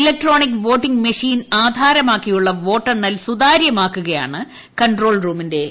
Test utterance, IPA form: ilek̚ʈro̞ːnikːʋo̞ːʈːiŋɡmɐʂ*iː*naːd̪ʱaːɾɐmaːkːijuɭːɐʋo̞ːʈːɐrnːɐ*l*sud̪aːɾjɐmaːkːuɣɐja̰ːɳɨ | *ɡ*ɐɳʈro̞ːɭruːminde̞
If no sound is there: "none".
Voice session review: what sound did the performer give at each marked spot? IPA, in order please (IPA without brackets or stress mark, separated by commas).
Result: iː, l, k